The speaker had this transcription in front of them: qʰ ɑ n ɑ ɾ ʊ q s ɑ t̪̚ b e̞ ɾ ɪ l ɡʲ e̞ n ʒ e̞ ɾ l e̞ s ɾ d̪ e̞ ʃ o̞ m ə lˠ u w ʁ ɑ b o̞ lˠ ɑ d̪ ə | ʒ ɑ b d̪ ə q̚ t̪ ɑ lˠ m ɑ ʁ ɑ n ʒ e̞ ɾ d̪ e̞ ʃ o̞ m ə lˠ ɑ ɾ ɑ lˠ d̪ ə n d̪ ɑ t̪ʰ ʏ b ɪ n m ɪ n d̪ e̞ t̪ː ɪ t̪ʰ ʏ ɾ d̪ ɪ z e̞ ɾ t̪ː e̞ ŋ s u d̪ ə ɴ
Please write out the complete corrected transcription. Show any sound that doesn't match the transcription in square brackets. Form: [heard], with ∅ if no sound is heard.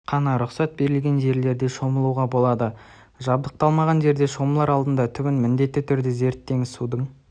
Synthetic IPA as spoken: qʰ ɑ n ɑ ɾ ʊ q s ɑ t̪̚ b e̞ ɾ ɪ l ɡʲ e̞ n ʒ e̞ ɾ l e̞ [∅] ɾ d̪ e̞ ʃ o̞ m ə lˠ u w ʁ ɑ b o̞ lˠ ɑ d̪ ə | ʒ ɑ b d̪ ə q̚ t̪ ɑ lˠ m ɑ ʁ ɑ n ʒ e̞ ɾ d̪ e̞ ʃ o̞ m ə lˠ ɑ ɾ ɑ lˠ d̪ ə n d̪ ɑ t̪ʰ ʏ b ɪ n m ɪ n d̪ e̞ t̪ː ɪ t̪ʰ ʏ ɾ d̪ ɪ z e̞ ɾ t̪ː e̞ ŋ s u d̪ ə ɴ